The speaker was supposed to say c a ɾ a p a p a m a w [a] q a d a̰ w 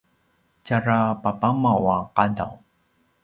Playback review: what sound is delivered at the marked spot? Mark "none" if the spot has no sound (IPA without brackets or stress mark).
a